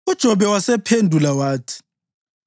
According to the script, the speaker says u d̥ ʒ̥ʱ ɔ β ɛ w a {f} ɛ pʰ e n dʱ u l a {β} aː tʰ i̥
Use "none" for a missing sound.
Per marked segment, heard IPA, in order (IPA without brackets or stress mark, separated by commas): s, w